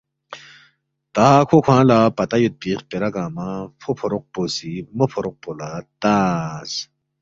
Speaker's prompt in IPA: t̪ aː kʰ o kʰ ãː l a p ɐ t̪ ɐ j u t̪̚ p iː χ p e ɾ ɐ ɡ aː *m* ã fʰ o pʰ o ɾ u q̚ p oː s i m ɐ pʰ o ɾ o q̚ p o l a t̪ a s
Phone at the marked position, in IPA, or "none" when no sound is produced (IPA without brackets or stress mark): m